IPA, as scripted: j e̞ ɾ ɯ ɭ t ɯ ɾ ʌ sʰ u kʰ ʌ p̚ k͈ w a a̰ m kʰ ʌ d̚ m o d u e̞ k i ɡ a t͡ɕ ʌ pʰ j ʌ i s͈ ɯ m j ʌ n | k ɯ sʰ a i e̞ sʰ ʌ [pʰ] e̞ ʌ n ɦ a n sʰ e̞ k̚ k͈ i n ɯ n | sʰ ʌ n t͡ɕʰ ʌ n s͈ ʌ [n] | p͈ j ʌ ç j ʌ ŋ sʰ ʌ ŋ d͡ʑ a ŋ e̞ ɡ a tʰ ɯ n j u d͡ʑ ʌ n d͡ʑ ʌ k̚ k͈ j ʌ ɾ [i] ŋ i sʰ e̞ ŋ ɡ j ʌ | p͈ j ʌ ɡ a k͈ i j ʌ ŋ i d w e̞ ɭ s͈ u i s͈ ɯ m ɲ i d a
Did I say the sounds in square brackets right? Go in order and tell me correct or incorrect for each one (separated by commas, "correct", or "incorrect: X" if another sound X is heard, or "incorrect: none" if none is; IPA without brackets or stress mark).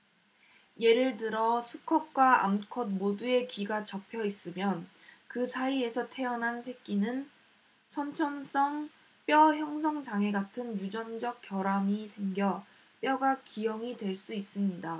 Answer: incorrect: tʰ, incorrect: ŋ, incorrect: a